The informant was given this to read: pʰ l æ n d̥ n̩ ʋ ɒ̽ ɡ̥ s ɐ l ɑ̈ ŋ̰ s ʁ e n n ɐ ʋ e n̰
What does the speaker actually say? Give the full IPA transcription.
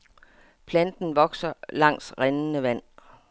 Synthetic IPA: pʰ l æ n d̥ n̩ ʋ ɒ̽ ɡ̥ s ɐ l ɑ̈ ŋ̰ s ʁ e n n ə ʋ æ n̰

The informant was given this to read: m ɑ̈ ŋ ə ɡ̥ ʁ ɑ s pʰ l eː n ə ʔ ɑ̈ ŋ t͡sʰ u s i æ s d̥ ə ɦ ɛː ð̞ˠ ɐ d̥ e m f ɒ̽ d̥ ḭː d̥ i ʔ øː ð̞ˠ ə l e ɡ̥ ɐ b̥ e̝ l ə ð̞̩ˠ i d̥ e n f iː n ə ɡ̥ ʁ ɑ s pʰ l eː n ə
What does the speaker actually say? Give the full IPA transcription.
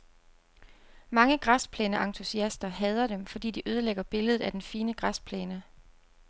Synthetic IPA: m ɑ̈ ŋ ə ɡ̥ ʁ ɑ s pʰ l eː n ə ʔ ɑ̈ ŋ t͡sʰ u s i æ s d̥ ɐ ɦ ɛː ð̞ˠ ɐ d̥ e m f ɒ̽ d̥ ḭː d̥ i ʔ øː ð̞ˠ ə l e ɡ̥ ɐ b̥ e̝ l ə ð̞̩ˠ æ d̥ e n f iː n ə ɡ̥ ʁ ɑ s pʰ l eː n ə

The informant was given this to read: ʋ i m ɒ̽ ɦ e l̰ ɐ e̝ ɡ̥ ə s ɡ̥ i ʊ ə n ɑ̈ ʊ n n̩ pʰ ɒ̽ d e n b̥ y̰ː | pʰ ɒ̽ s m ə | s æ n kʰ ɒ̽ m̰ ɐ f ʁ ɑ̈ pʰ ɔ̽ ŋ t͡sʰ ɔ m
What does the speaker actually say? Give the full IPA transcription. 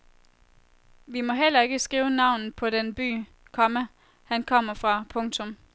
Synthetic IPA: ʋ i m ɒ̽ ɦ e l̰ ɐ e̝ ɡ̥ ə s ɡ̥ iː ʊ ə n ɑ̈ ʊ n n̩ pʰ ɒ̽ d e n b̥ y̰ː | kʰ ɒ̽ m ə | h æ n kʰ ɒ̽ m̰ ɐ f ʁ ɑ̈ pʰ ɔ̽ ŋ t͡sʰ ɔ m

